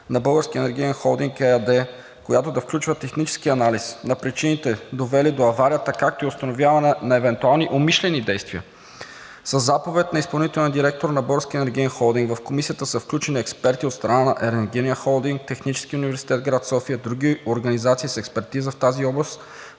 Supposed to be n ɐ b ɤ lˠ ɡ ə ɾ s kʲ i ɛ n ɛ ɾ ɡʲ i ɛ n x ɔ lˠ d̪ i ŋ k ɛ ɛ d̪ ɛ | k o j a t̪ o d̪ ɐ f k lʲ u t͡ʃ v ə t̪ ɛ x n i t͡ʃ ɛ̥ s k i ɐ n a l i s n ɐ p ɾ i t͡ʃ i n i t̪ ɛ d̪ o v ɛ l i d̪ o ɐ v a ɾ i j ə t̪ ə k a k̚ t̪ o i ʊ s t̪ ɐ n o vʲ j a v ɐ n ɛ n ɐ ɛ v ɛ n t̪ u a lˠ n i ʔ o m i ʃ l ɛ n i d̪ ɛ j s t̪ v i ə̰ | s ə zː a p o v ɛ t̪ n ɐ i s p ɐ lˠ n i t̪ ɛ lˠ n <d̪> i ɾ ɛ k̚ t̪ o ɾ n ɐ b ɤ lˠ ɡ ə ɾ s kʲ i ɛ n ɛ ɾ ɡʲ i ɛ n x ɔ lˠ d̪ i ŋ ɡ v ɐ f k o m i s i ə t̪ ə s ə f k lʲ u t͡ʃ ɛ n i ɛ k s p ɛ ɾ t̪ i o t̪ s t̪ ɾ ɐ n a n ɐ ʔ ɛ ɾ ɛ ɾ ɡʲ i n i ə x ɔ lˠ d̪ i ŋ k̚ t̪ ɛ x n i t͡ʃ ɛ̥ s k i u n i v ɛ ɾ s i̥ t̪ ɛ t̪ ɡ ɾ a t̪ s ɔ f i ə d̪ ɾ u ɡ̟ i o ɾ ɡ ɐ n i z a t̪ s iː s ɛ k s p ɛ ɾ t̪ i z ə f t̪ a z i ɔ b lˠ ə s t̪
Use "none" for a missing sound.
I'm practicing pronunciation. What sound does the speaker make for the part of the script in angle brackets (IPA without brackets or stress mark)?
d̪